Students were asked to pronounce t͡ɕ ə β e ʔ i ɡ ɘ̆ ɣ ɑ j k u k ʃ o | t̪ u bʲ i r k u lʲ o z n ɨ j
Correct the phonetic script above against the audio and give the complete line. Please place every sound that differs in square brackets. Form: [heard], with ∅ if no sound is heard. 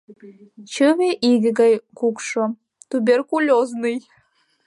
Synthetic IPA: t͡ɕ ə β e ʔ i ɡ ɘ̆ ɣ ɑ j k u k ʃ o | t̪ u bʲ [e] r k u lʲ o z n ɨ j